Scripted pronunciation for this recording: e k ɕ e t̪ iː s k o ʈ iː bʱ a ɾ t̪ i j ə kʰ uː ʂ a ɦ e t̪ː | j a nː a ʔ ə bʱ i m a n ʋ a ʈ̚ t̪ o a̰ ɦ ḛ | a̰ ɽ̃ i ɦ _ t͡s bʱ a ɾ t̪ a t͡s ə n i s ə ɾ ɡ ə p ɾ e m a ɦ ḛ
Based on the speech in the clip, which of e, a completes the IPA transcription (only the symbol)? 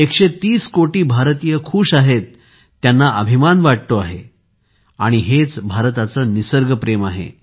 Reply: e